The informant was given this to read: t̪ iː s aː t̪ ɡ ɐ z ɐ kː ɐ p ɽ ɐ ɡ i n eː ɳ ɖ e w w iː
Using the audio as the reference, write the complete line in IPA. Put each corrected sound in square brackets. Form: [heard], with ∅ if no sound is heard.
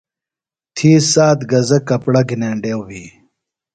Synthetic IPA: [t̪ʰ] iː s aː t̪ ɡ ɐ z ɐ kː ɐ p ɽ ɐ ɡ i n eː ɳ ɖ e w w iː

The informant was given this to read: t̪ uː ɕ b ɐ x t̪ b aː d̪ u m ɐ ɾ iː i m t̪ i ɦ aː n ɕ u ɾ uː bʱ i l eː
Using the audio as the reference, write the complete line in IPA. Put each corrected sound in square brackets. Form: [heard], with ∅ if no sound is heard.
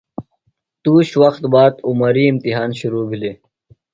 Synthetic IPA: t̪ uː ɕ [w] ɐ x t̪ b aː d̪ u m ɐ ɾ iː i m t̪ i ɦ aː n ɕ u ɾ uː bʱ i l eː

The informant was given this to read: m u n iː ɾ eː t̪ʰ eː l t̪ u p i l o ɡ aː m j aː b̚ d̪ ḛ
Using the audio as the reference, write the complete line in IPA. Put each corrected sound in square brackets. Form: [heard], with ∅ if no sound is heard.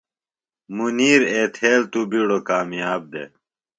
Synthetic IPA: m u n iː ɾ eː t̪ʰ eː l t̪ u [b] i [ɽ] o [k] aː m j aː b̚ d̪ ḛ

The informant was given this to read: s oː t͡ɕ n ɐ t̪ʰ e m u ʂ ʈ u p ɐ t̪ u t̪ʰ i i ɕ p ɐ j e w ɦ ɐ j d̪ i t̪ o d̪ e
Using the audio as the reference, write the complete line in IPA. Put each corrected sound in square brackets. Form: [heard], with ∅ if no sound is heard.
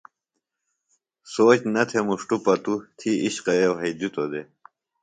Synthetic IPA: s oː t͡ɕ n ɐ t̪ʰ e m u ʂ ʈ u p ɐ t̪ u t̪ʰ i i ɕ [q] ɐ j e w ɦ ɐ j d̪ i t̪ o d̪ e

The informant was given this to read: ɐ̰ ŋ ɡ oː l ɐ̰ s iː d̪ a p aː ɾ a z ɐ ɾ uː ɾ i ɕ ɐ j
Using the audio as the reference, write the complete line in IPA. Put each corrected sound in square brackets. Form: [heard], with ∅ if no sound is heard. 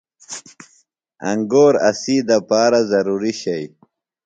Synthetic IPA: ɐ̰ ŋ ɡ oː [ɾ] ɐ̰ s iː d̪ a p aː ɾ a z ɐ ɾ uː ɾ i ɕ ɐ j

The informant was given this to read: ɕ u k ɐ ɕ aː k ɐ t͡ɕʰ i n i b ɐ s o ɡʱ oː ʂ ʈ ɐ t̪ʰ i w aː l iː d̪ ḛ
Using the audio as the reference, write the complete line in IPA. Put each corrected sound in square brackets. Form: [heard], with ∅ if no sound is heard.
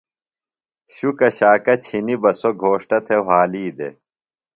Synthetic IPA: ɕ u k ɐ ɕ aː k ɐ t͡ɕʰ i n i b ɐ s o ɡʱ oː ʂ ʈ ɐ t̪ʰ [e] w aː l iː d̪ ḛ

